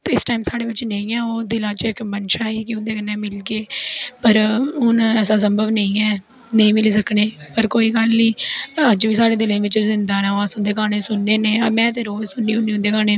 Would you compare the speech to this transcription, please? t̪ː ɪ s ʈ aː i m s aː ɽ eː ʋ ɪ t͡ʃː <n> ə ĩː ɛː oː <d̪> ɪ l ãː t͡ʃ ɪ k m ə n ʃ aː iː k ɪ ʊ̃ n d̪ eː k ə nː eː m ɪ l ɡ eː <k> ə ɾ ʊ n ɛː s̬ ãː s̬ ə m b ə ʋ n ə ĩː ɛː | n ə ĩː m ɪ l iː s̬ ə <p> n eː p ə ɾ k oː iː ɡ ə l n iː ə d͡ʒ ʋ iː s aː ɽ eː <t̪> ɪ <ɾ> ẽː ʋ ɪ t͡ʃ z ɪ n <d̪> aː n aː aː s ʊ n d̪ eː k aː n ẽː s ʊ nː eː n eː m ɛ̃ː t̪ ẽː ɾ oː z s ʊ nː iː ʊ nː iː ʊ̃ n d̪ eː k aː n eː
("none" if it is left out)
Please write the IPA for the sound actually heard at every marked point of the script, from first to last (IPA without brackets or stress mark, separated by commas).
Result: n, d̪, p, k, d̪, l, d̪